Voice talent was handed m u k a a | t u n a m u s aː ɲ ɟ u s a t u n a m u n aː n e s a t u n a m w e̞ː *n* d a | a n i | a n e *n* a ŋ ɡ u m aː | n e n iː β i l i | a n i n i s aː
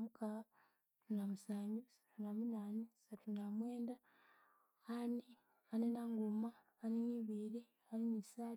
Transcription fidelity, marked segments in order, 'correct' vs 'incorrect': correct, correct

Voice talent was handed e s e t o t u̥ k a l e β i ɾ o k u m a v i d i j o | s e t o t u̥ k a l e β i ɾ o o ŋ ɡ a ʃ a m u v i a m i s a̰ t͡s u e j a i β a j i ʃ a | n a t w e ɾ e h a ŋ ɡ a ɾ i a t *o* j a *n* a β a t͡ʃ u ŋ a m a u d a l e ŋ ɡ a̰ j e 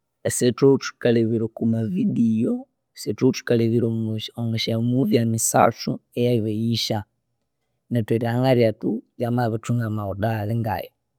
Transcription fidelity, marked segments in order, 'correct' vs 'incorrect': incorrect: u, incorrect: m

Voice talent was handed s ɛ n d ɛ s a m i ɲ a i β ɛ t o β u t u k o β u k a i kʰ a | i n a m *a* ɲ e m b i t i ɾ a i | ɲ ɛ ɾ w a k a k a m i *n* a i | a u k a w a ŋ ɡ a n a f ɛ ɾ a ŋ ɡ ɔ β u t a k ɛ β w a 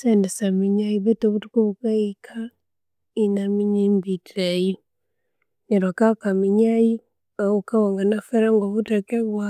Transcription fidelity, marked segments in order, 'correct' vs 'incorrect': incorrect: i, incorrect: ɲ

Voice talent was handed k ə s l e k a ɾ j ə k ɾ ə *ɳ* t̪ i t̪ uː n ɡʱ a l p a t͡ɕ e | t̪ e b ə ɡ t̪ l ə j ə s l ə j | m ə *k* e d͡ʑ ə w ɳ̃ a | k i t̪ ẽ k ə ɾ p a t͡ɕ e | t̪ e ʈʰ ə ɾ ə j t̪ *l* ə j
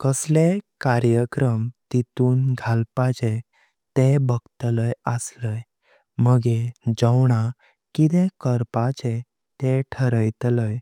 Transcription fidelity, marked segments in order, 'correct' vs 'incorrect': incorrect: m, incorrect: ɡ, correct

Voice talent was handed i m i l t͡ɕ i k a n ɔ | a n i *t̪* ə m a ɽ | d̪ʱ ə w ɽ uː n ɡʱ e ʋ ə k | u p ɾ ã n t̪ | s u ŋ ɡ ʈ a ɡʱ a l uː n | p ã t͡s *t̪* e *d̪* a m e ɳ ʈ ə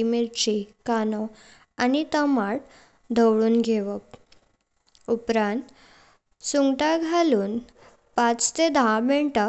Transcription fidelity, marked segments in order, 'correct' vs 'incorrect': correct, correct, correct

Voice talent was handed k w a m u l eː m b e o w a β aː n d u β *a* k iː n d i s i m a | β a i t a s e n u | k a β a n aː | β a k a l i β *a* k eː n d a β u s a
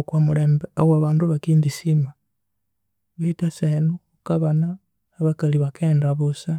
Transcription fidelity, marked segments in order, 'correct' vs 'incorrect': correct, correct

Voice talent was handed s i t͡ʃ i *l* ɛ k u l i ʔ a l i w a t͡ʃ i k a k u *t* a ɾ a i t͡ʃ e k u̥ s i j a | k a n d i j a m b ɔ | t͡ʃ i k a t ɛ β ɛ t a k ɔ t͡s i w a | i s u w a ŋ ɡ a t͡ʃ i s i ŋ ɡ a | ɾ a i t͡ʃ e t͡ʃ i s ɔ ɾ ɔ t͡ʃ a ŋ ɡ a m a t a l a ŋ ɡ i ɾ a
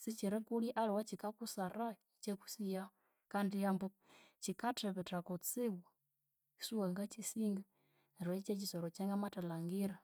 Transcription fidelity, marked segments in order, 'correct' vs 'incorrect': incorrect: ɾ, incorrect: s

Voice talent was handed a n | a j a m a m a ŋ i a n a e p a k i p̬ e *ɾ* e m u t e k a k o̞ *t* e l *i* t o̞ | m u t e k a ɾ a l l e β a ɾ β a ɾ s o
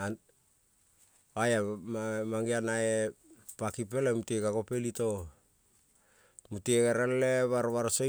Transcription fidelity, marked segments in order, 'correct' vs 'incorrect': incorrect: l, incorrect: p, correct

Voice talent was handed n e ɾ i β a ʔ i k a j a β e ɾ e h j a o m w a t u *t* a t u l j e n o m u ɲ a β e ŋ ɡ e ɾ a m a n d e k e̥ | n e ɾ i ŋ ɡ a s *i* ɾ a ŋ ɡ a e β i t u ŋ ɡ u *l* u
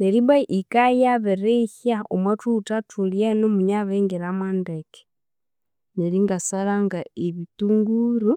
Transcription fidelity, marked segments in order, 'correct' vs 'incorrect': correct, incorrect: a, incorrect: ɾ

